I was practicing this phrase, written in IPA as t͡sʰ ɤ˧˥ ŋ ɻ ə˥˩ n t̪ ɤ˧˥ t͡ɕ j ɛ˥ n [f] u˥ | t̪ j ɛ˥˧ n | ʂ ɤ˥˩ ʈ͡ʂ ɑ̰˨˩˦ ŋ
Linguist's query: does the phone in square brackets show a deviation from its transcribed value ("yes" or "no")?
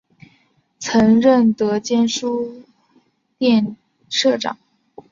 yes